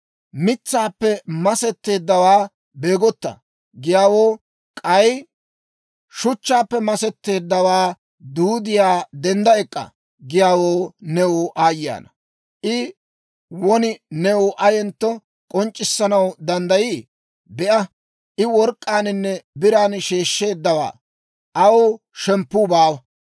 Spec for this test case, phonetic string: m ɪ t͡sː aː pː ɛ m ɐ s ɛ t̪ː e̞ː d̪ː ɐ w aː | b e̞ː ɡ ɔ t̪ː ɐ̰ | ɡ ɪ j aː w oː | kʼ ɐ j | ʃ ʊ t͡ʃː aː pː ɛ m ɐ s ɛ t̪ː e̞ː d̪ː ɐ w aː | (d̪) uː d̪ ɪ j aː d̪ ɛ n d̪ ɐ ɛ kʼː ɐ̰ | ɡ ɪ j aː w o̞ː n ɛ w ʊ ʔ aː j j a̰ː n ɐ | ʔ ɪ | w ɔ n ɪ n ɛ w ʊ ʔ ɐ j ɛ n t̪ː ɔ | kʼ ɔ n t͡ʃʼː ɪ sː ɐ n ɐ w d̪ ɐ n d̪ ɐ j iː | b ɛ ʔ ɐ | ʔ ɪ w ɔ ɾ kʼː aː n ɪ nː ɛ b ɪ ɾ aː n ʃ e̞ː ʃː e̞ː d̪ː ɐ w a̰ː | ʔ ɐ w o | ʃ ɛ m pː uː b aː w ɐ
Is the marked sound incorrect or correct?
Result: correct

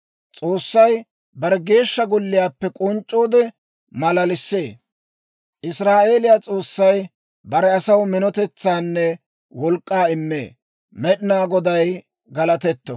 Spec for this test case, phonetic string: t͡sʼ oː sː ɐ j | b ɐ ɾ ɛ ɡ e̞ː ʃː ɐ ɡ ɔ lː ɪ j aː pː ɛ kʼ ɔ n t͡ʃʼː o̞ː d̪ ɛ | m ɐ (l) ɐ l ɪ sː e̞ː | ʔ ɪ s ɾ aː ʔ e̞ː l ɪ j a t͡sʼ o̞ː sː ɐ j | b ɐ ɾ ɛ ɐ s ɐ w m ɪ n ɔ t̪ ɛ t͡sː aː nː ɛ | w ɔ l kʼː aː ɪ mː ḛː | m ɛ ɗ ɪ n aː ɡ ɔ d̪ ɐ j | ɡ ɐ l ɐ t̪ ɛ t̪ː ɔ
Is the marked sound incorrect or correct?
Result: correct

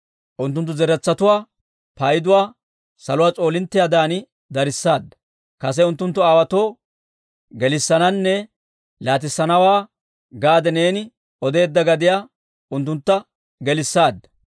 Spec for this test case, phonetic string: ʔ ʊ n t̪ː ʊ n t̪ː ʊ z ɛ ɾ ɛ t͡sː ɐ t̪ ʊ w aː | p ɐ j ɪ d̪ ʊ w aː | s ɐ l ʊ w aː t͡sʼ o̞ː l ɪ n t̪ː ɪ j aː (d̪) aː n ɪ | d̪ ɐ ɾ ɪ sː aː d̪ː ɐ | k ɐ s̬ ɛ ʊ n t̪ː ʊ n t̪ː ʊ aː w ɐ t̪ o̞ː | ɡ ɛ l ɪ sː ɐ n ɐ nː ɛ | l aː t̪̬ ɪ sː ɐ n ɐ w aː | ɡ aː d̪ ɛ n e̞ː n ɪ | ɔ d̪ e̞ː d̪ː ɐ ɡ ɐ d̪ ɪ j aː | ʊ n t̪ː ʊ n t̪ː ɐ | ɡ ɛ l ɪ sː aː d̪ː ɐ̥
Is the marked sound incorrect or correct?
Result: correct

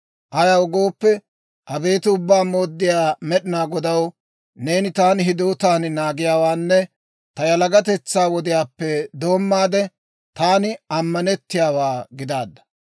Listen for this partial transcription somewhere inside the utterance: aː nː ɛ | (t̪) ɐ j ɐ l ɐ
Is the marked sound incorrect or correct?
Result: correct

